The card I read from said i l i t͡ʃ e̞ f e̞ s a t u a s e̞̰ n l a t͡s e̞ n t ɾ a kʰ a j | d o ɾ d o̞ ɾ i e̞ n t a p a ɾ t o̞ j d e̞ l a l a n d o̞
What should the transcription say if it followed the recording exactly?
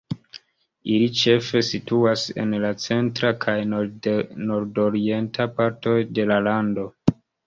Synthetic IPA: i l i t͡ʃ e̞ f e̞ s i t u a s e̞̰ n l a t͡s e̞ n t ɾ a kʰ a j | n o ɾ d o̞ ɾ i e̞ n t a p a ɾ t o̞ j d e̞ l a l a n d o̞

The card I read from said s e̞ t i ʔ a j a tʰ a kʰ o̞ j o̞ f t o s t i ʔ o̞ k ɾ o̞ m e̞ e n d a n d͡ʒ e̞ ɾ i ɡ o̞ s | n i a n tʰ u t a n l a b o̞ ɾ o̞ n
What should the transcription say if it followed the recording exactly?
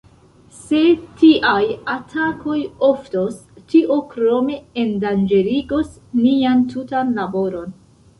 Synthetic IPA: s e̞ t i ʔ a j a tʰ a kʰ o̞ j o̞ f t o s t i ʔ o̞ k ɾ o̞ m e̞ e n d a n d͡ʒ e̞ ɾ i ɡ o̞ s | n i a n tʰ u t a n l a b o̞ ɾ o̞ n

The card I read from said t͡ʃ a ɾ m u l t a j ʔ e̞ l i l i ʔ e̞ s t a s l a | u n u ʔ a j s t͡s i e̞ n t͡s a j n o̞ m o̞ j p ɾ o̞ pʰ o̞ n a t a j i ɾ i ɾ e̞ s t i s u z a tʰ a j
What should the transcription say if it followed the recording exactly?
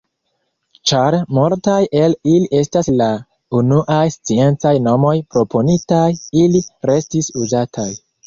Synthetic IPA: t͡ʃ a ɾ m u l t a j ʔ e̞ l i l i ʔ e̞ s t a s l a | u n u ʔ a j s t͡s i e̞ n t͡s a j n o̞ m o̞ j p ɾ o̞ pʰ o̞ n i t a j i l i ɾ e̞ s t i s u z a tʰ a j

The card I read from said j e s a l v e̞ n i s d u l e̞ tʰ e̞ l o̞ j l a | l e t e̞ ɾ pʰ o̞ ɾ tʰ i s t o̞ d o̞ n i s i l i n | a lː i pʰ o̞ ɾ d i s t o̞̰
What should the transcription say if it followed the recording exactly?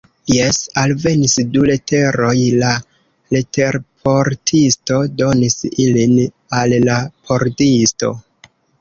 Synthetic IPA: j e s a l v e̞ n i s d u l e̞ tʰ e̞ ɾ o̞ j l a | l e t e̞ ɾ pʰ o̞ ɾ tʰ i s t o̞ d o̞ n i s i l i n | a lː a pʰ o̞ ɾ d i s t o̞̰

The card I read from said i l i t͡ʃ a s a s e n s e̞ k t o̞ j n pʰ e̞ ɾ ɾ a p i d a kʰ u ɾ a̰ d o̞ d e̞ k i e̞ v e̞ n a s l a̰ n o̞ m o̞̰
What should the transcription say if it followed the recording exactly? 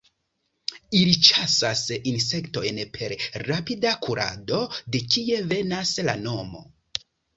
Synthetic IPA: i l i t͡ʃ a s a s i n s e̞ k t o̞ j n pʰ e̞ ɾ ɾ a p i d a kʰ u ɾ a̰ d o̞ d e̞ k i e̞ v e̞ n a s l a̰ n o̞ m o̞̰

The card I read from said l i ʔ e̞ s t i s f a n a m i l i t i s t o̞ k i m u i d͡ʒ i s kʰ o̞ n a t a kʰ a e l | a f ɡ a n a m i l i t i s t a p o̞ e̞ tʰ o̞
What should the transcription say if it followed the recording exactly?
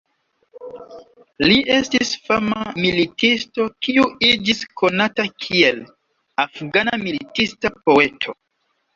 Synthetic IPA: l i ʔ e̞ s t i s f a m a m i l i t i s t o̞ k i u i d͡ʒ i s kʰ o̞ n a t a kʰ i e l | a f ɡ a n a m i l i t i s t a p o̞ e̞ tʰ o̞

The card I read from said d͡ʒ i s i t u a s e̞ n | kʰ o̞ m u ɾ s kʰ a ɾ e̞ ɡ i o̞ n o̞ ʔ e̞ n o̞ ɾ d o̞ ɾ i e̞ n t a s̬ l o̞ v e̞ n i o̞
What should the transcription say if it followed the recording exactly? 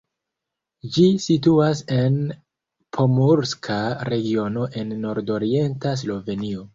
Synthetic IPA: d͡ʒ i s i t u a s e̞ n | pʰ o̞ m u ɾ s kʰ a ɾ e̞ ɡ i o̞ n o̞ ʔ e̞ nː o̞ ɾ d o̞ ɾ i e̞ n t a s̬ l o̞ v e̞ n i o̞

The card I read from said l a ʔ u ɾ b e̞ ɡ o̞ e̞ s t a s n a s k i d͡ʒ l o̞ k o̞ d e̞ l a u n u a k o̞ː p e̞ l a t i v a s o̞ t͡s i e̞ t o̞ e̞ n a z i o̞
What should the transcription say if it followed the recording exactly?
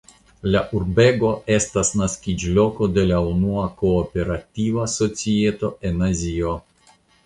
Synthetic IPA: l a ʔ u ɾ b e̞ ɡ o̞ e̞ s t a s n a s k i d͡ʒ l o̞ k o̞ d e̞ l a u n u a k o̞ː p e̞ ɾ a t i v a s o̞ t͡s i e̞ t o̞ e̞ n a z i o̞

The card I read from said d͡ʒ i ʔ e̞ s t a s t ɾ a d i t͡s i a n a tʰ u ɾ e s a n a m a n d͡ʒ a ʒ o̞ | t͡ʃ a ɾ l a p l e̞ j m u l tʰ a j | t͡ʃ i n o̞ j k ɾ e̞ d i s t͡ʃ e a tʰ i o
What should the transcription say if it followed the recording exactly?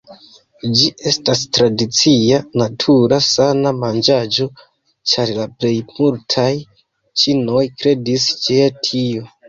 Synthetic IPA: d͡ʒ i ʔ e̞ s t a s t ɾ a d i t͡s i a n a tʰ u ɾ a s a n a m a n d͡ʒ a d͡ʒ o̞ | t͡ʃ a ɾ l a p l e̞ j m u l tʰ a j | t͡ʃ i n o̞ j k ɾ e̞ d i s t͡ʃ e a tʰ i o

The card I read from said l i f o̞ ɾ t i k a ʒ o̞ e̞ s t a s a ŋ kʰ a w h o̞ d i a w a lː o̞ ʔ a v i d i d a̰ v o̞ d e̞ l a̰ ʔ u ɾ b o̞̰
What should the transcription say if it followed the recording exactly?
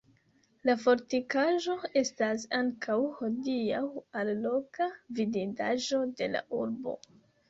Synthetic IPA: l a f o̞ ɾ t i k a ʒ o̞ e̞ s t a s a ŋ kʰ a w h o̞ d i a w a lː o̞ k a v i d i d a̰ ʒ o̞ d e̞ l a̰ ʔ u ɾ b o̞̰

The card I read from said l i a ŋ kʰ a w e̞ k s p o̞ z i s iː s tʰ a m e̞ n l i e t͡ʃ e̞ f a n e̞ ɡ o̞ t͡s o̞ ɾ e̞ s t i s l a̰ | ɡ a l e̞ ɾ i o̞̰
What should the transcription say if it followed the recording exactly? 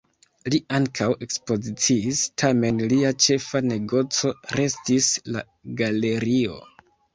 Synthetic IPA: l i a ŋ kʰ a w e̞ k s p o̞ z i t͡s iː s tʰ a m e̞ n l i a t͡ʃ e̞ f a n e̞ ɡ o̞ t͡s o̞ ɾ e̞ s t i s l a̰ | ɡ a l e̞ ɾ i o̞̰

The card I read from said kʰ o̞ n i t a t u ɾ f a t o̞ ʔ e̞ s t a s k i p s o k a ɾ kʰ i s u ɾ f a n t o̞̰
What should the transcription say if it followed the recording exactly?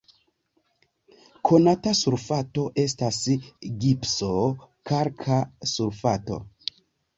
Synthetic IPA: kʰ o̞ n a t a s u ɾ f a t o̞ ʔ e̞ s t a s ɡ i p s o k a ɾ kʰ a s u ɾ f a t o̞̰

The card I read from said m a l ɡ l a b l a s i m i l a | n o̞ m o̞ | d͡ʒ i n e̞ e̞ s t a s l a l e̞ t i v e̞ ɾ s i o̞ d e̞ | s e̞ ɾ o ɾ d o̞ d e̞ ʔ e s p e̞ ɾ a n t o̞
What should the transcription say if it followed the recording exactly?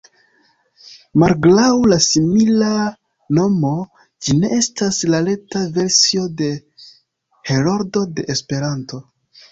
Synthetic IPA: m a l ɡ l a w l a s i m i l a | n o̞ m o̞ | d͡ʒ i n e̞ e̞ s t a s l a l e̞ t a v e̞ ɾ s i o̞ d e̞ | h e̞ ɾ o ɾ d o̞ d e̞ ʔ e s p e̞ ɾ a n t o̞

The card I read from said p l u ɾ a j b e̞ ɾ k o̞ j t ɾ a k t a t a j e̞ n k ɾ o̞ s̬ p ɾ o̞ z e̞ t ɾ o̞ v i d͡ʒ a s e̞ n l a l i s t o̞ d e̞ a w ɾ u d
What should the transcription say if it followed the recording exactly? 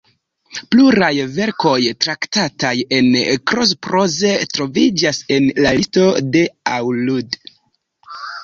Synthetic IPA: p l u ɾ a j v e̞ ɾ k o̞ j t ɾ a k t a t a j e̞ n k ɾ o̞ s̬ p ɾ o̞ z e̞ t ɾ o̞ v i d͡ʒ a s e̞ n l a l i s t o̞ d e̞ a w l u d

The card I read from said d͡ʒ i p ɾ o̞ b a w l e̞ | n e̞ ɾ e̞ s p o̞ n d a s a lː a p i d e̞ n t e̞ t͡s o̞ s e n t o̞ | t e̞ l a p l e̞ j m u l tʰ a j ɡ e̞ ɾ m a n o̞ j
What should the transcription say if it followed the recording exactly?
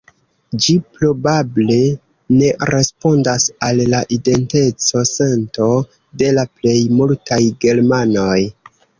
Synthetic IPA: d͡ʒ i p ɾ o̞ b a b l e̞ | n e̞ ɾ e̞ s p o̞ n d a s a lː a ʔ i d e̞ n t e̞ t͡s o̞ s e n t o̞ | d e̞ l a p l e̞ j m u l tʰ a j ɡ e̞ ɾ m a n o̞ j

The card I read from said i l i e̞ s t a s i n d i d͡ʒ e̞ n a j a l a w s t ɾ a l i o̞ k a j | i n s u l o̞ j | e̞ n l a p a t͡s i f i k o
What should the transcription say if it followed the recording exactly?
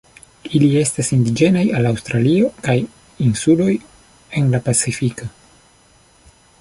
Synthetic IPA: i l i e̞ s t a s i n d i d͡ʒ e̞ n a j a l a w s t ɾ a l i o̞ k a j | i n s u l o̞ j | e̞ n l a p a t͡s i f i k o

